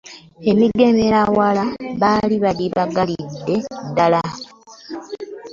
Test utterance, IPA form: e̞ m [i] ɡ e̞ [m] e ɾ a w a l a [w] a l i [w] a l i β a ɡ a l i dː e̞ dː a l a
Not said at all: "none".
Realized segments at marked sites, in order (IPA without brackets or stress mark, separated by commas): i, m, β, β